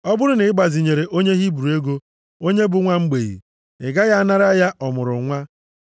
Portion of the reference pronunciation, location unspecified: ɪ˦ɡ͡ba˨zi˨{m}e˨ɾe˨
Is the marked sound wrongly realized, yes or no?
yes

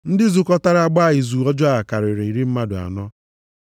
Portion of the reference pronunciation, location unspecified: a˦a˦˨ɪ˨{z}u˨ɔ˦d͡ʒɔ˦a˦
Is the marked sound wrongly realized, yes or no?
no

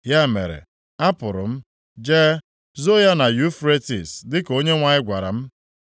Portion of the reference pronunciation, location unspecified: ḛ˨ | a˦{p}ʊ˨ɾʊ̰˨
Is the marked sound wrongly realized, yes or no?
no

